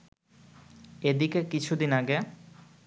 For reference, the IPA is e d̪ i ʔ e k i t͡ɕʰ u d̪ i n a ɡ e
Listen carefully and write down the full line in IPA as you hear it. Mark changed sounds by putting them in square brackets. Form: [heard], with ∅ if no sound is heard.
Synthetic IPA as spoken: e d̪ i [k] e k i t͡ɕʰ u d̪ i n a ɡ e